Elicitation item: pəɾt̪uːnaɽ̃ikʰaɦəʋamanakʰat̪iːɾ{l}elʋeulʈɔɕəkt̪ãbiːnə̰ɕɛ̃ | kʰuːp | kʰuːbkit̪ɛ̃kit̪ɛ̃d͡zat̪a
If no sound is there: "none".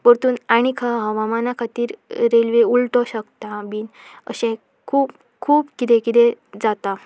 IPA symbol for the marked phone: ɾ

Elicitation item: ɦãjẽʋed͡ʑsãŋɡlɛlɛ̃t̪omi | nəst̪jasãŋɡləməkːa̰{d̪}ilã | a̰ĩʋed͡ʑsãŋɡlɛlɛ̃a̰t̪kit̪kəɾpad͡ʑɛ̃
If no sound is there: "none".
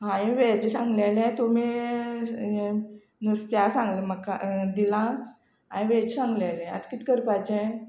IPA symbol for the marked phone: d̪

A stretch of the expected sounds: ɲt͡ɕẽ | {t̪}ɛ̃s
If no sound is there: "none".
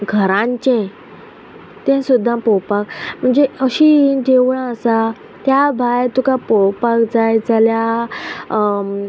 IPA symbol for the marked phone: t̪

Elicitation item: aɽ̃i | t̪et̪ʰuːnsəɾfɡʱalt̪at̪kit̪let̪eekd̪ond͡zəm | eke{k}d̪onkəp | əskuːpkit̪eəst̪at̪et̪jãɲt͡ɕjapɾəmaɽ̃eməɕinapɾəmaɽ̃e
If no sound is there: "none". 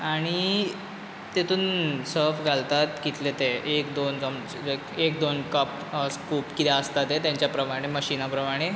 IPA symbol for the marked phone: k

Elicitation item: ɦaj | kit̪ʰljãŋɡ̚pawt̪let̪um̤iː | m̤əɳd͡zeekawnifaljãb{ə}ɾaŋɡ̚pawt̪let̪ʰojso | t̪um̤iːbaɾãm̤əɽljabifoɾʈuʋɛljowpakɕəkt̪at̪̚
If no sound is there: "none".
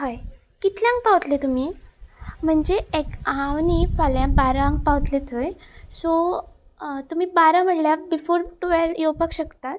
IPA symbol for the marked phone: a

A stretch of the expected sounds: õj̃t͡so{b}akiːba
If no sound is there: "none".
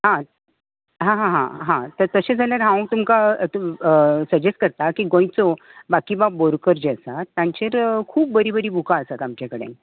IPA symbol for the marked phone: b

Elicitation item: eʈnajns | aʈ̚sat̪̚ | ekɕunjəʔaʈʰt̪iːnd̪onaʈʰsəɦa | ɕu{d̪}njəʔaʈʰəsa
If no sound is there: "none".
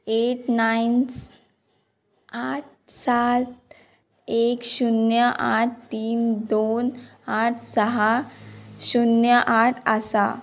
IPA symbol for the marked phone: none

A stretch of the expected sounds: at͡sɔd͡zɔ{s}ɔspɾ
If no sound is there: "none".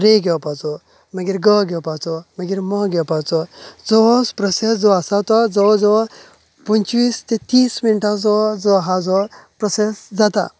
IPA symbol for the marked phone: none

